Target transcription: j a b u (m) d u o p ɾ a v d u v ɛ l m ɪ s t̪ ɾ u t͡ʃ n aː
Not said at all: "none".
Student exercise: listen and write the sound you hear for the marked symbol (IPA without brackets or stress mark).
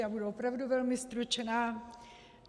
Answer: none